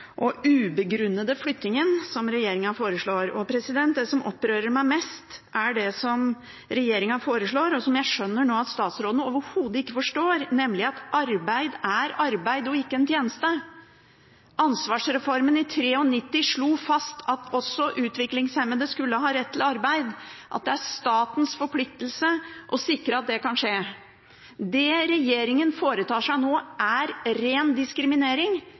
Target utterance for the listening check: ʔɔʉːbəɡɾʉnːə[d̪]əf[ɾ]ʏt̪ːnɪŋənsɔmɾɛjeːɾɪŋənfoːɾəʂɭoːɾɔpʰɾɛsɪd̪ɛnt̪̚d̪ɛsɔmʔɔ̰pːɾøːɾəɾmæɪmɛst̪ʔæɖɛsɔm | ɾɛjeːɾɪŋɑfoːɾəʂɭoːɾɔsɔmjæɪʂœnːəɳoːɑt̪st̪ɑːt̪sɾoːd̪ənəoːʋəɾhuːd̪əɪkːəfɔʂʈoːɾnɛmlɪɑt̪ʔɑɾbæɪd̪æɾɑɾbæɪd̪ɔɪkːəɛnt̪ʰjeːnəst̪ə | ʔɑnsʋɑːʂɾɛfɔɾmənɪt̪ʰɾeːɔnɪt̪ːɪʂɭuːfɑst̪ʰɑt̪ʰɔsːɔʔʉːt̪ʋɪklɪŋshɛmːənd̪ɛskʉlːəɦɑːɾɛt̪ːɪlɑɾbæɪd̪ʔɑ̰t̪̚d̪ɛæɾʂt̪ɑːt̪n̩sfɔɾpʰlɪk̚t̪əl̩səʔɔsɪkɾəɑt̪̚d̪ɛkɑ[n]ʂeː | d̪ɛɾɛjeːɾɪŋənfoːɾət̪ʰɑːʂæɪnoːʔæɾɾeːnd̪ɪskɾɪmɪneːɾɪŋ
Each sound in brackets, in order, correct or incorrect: correct, incorrect, correct

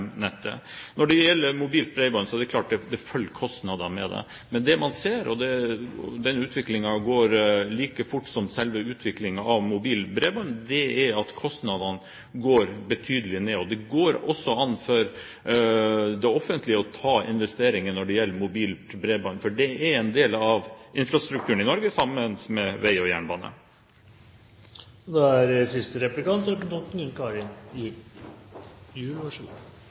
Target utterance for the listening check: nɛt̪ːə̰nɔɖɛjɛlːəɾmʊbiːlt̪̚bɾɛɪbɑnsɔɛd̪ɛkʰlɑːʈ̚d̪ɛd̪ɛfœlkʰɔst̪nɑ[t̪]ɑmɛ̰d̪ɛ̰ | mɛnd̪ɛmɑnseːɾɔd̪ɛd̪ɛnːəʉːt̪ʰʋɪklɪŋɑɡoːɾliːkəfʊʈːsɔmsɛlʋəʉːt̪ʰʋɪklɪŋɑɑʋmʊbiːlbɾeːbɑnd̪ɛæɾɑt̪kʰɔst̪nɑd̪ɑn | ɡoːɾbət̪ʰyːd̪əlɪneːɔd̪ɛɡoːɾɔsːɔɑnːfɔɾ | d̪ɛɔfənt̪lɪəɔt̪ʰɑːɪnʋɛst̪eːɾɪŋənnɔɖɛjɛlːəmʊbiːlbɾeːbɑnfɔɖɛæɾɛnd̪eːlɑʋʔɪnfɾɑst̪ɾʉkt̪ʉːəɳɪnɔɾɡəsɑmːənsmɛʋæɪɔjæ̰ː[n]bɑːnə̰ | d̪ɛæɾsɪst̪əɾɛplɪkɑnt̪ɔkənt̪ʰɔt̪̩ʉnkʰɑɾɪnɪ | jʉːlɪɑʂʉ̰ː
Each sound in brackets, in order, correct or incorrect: incorrect, incorrect

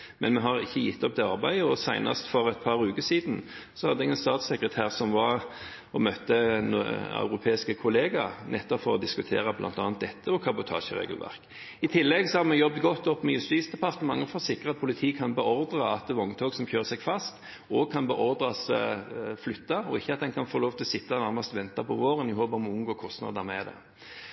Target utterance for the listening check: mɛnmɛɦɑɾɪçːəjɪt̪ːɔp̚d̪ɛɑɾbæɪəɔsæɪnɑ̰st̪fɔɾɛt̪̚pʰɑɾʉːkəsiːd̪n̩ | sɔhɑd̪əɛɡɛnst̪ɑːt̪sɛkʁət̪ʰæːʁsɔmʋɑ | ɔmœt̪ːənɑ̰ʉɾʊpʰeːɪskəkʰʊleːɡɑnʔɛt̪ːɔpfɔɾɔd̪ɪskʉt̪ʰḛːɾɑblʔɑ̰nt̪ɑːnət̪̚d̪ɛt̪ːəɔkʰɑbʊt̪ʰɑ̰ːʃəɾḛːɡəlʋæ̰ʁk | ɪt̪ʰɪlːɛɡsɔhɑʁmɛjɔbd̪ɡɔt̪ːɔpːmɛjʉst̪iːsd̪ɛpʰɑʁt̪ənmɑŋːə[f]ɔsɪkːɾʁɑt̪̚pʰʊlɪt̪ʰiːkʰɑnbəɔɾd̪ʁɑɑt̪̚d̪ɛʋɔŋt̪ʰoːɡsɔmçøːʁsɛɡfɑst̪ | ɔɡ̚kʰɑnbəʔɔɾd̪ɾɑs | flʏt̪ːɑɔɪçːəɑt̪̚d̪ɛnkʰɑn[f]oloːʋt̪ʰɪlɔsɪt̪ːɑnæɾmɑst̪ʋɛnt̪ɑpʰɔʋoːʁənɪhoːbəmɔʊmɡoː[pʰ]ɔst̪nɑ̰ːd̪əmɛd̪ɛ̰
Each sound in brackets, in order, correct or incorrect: correct, correct, incorrect

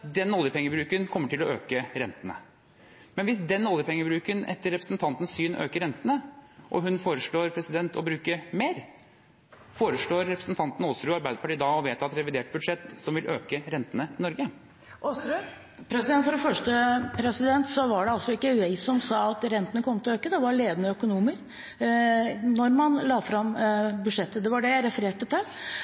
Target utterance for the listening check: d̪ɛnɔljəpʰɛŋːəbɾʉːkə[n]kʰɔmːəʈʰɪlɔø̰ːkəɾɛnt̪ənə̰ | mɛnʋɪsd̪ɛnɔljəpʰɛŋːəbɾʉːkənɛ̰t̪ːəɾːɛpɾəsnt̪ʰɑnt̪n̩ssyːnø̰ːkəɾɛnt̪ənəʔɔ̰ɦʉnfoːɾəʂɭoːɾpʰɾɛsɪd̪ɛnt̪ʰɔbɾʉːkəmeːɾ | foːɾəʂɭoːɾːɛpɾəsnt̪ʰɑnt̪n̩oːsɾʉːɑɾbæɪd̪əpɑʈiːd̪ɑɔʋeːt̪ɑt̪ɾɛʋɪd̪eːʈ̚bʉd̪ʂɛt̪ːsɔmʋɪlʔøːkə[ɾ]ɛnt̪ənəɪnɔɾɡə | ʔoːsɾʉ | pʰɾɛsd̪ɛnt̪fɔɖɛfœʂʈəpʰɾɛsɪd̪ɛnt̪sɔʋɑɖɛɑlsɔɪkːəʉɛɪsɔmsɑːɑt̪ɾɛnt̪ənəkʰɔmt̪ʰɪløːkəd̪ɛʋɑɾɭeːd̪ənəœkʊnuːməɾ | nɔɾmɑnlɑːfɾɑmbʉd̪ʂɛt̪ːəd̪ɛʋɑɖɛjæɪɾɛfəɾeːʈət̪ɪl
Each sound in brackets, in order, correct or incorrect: correct, correct

